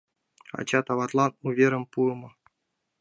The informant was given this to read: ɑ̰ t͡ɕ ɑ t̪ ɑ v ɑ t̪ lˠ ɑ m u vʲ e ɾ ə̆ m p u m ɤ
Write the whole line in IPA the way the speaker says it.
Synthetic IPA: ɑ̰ t͡ɕ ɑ t̪ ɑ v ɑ t̪ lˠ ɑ n u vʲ e ɾ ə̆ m p u m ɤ